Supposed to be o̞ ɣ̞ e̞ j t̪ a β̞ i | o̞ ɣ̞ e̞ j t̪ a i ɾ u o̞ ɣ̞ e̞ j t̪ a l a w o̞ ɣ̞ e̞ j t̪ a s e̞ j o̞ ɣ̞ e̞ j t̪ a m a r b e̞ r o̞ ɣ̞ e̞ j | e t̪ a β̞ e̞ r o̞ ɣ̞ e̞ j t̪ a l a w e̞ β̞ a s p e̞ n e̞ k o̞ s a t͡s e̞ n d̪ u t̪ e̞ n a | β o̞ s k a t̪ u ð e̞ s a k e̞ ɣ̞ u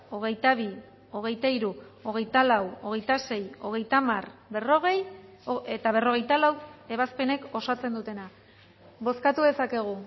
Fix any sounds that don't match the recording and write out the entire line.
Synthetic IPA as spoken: o̞ ɣ̞ e̞ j t̪ a β̞ i | o̞ ɣ̞ e̞ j t̪ a i ɾ u o̞ ɣ̞ e̞ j t̪ a l a w o̞ ɣ̞ e̞ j t̪ a s e̞ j o̞ ɣ̞ e̞ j t̪ a m a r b e̞ r o̞ ɣ̞ e̞ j | e t̪ a β̞ e̞ r o̞ ɣ̞ e̞ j t̪ a l a w e̞ β̞ a s p e̞ n e̞ k o̞ s a t͡s e̞ n d̪ u t̪ e̞ n a | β o̞ s k a t̪ u ð e̞ s a k e̞ ɣ̞ u